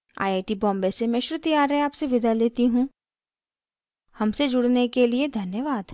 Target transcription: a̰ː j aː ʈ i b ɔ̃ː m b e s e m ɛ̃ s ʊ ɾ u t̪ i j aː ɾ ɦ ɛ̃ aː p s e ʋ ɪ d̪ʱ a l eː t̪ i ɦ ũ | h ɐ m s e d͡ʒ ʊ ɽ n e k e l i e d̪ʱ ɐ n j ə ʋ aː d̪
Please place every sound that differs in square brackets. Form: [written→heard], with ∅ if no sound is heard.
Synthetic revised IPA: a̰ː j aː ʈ i b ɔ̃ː m b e s e m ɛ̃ [s→ʃ] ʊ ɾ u t̪ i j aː ɾ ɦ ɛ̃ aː p s e ʋ ɪ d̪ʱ a l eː t̪ i ɦ ũ | h ɐ m s e d͡ʒ ʊ ɽ n e k e l i e d̪ʱ ɐ n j ə ʋ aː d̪